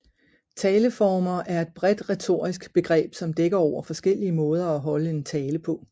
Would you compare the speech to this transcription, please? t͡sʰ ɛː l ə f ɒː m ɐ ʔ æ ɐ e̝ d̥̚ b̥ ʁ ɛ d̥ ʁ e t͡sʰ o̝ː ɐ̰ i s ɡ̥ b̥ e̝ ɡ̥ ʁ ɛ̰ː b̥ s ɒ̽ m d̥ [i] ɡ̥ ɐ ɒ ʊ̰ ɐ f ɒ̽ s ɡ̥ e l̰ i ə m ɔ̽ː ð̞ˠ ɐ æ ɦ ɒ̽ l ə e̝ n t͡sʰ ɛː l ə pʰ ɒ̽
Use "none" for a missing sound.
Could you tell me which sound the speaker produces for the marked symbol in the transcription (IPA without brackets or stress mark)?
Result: e